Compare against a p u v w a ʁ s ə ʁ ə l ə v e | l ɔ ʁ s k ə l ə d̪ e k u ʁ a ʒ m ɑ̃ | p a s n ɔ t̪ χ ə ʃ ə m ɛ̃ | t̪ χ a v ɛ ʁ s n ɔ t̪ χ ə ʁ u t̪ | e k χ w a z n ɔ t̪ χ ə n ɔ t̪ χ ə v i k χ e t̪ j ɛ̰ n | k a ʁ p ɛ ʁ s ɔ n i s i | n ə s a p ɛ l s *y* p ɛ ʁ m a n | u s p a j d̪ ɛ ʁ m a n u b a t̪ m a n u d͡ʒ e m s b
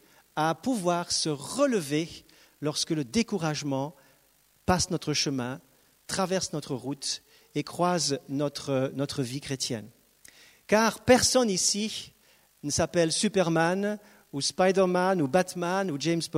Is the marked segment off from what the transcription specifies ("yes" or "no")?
no